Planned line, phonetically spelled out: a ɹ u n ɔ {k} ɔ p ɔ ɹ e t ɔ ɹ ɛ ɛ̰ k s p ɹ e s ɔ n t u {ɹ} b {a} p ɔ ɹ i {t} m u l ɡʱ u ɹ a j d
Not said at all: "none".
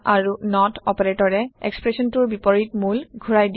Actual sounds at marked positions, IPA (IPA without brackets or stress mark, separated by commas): t, ɹ, i, t